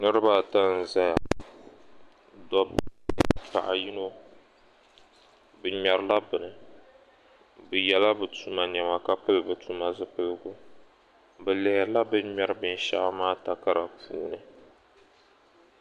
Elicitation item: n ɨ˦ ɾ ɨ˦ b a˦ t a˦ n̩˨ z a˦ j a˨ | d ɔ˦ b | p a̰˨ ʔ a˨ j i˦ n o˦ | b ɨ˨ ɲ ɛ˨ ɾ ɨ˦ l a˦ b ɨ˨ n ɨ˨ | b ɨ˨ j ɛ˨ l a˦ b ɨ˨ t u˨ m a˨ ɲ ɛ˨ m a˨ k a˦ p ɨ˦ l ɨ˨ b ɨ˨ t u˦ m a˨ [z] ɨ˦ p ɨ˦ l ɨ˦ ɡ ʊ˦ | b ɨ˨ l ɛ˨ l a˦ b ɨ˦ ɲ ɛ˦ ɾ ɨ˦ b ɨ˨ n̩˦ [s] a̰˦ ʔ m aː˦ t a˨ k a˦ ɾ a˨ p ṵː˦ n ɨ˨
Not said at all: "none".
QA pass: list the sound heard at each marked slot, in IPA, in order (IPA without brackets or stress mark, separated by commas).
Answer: z, ʃ